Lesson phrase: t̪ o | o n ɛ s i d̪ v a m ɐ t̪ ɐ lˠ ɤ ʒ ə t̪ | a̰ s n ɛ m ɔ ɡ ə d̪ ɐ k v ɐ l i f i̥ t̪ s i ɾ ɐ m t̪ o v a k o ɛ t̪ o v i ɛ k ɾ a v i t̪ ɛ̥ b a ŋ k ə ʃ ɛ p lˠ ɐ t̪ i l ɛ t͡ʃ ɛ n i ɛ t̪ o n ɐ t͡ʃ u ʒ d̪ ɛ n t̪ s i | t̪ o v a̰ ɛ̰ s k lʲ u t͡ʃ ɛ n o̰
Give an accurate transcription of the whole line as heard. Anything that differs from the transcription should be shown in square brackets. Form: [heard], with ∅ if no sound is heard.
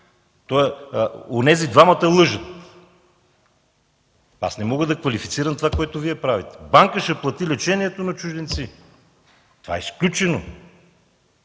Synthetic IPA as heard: t̪ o | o n ɛ [z] i d̪ v a m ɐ t̪ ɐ lˠ ɤ ʒ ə t̪ | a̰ s n ɛ m ɔ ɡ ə d̪ ɐ k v ɐ l i f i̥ t̪ s i ɾ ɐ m t̪ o v a k o ɛ t̪ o v i ɛ [p] ɾ a v i t̪ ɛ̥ b a ŋ k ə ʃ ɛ p lˠ ɐ t̪ i l ɛ t͡ʃ ɛ n i ɛ t̪ o n ɐ t͡ʃ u ʒ d̪ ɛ n t̪ s i | t̪ o v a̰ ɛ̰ s k lʲ u t͡ʃ ɛ n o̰